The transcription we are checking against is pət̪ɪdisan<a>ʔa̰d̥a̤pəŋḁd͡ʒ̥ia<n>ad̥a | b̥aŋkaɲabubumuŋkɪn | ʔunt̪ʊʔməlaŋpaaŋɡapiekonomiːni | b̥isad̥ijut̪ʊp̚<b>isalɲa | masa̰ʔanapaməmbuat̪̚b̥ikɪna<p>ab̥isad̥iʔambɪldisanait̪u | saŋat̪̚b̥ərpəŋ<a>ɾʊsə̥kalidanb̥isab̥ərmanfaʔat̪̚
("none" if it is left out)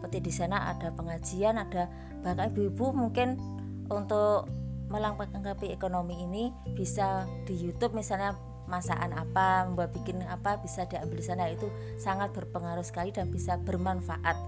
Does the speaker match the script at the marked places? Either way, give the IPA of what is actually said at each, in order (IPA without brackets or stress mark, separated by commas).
a, n, m, p, a